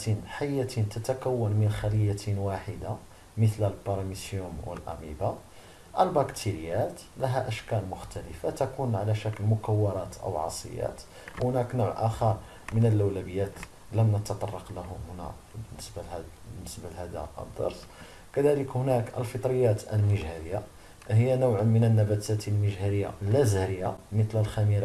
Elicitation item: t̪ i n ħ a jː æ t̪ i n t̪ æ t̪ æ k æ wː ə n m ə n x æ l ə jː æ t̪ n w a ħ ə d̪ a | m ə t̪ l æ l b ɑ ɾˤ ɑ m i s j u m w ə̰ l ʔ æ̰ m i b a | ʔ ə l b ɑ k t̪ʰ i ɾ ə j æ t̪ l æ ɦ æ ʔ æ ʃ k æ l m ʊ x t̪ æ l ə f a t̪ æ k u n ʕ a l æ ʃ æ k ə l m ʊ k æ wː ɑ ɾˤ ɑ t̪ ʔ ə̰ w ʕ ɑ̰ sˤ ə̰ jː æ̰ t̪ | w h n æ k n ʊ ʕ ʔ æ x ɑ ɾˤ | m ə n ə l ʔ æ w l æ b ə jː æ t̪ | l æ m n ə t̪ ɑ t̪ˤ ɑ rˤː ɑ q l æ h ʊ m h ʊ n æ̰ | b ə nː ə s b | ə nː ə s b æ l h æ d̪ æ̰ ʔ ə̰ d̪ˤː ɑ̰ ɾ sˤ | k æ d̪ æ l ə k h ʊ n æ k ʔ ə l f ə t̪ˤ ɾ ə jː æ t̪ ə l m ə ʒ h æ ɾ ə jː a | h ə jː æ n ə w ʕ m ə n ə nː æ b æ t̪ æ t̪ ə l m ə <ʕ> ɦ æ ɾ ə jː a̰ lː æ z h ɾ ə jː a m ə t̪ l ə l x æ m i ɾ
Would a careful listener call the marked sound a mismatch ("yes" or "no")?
yes